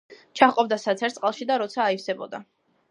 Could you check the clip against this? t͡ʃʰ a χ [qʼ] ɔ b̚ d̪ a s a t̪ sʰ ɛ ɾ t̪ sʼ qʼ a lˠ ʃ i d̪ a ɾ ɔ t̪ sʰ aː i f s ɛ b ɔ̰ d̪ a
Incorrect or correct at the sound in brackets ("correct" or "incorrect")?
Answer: correct